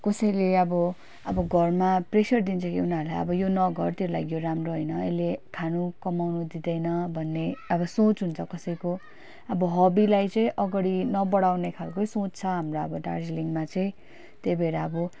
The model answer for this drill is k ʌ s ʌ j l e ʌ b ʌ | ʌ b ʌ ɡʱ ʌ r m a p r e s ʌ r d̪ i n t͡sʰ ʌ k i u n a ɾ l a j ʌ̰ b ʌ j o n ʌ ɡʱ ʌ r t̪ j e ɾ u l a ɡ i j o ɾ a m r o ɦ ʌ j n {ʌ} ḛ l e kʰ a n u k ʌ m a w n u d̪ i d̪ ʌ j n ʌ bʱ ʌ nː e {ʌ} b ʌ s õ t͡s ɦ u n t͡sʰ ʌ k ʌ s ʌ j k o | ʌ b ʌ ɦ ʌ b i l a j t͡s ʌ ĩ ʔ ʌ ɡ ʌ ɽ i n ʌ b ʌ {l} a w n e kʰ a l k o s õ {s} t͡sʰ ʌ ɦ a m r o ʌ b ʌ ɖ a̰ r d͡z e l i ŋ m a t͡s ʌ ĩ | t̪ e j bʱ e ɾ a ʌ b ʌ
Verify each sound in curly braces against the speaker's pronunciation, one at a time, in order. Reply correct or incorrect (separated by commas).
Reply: correct, correct, incorrect, incorrect